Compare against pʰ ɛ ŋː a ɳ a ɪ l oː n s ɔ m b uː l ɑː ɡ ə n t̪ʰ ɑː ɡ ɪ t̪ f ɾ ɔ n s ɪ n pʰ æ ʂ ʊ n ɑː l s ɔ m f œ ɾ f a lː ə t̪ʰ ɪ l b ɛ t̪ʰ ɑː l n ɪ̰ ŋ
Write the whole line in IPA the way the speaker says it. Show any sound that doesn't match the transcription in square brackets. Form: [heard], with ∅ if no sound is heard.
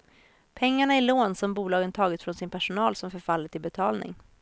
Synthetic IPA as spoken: pʰ ɛ ŋː a ɳ a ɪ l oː n s ɔ m b uː l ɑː ɡ ə n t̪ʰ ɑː ɡ ɪ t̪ f ɾ ɔ n s ɪ n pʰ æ ʂ ʊ n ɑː l s ɔ m f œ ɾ f a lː ə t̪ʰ ɪ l b ɛ t̪ʰ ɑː l n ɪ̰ ŋ